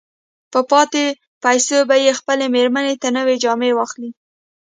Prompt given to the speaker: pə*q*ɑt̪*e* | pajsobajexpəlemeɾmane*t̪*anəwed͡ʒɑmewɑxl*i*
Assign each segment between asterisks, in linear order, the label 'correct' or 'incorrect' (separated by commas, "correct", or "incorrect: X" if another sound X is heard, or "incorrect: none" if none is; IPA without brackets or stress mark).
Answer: incorrect: p, correct, correct, correct